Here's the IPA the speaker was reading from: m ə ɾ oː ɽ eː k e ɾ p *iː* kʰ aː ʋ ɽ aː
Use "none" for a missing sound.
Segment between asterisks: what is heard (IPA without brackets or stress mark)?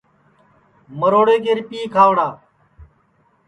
iː